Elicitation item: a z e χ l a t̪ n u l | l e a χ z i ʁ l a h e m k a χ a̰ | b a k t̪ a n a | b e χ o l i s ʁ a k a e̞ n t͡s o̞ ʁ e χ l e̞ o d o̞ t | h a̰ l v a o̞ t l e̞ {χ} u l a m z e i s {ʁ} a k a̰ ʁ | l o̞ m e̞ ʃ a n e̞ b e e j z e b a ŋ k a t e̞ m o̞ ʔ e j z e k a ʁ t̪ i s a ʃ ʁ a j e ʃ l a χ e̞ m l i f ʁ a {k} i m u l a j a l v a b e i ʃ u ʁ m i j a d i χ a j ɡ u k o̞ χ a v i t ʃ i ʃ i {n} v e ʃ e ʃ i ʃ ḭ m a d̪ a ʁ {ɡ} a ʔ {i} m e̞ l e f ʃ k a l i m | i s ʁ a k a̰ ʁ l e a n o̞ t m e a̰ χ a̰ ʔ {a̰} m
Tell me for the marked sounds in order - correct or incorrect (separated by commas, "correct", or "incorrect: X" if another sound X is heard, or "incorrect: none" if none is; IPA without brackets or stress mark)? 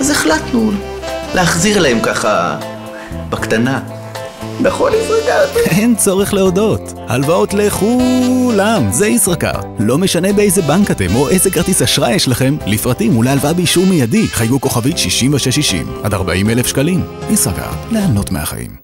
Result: correct, correct, incorrect: t, incorrect: m, incorrect: b, correct, incorrect: ḭ